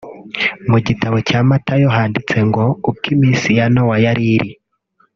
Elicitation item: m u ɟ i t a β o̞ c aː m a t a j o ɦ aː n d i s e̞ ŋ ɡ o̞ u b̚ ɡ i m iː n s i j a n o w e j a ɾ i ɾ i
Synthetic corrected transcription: m u ɟ i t a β o̞ c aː m a t a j o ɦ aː n d i t͡s e̞ ŋ ɡ o̞ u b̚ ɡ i m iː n s i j a n o w a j a ɾ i ɾ i